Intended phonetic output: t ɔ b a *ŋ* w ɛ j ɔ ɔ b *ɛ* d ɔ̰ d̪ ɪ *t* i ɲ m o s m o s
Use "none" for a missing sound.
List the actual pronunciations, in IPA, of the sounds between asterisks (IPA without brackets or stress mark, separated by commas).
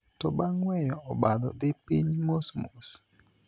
ŋ, a, p